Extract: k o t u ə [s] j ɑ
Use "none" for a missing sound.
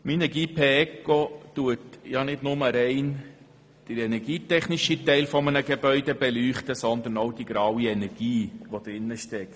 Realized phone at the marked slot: t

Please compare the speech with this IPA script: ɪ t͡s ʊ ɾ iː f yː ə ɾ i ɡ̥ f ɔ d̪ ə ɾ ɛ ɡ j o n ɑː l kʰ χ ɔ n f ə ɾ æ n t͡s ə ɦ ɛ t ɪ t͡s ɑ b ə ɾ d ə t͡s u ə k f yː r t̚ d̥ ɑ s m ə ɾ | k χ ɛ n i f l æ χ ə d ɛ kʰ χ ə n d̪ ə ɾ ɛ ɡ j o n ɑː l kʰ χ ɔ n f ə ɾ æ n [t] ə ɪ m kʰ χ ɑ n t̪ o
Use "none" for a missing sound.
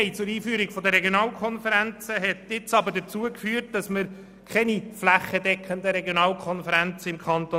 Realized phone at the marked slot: t͡s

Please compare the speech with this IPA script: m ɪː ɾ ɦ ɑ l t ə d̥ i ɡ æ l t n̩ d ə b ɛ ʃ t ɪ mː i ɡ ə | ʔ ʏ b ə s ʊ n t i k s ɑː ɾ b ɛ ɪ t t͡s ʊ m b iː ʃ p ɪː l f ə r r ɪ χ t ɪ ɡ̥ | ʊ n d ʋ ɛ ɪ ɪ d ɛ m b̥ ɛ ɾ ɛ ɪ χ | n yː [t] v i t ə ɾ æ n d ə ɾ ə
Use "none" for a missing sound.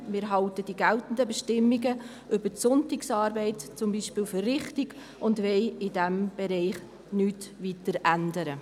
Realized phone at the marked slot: t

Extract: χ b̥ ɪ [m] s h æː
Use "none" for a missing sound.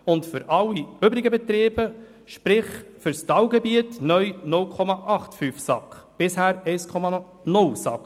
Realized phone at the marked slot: none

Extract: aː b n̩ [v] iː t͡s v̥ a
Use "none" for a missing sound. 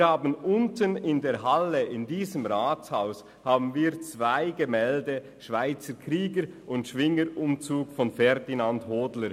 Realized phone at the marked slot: v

